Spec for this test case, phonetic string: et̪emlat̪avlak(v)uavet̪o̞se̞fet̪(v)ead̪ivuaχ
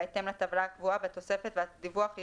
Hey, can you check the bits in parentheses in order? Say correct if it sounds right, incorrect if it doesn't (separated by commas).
correct, correct